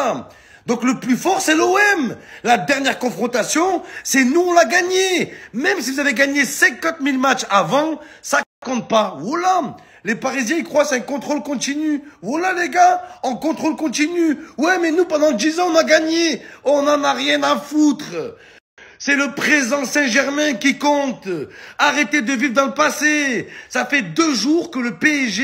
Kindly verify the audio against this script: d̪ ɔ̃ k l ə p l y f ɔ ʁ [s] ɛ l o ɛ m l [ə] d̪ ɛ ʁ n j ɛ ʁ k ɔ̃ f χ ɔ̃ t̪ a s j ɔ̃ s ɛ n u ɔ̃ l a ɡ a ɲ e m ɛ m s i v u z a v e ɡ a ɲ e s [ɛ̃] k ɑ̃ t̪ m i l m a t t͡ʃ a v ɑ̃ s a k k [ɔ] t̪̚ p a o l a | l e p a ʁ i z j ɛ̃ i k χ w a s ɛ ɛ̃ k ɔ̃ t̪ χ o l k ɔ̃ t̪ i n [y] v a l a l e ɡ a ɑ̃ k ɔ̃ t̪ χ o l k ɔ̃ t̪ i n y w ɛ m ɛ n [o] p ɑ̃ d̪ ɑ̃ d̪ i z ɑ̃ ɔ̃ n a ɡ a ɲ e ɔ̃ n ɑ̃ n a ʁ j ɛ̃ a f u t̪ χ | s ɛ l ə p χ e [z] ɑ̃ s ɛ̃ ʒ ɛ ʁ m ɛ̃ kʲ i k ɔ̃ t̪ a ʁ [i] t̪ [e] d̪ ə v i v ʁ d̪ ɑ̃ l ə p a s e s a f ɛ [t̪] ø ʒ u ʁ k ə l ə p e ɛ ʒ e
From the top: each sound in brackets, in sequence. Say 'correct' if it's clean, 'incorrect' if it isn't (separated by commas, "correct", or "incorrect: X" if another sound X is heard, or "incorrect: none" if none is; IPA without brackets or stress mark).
correct, incorrect: a, correct, incorrect: ɔ̃, correct, incorrect: u, correct, incorrect: e, correct, incorrect: d̪